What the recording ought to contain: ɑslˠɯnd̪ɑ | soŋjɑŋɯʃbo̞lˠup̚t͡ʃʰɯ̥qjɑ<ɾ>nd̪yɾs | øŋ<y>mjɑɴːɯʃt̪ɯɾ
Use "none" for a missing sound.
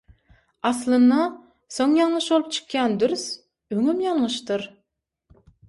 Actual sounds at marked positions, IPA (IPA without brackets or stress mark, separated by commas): none, y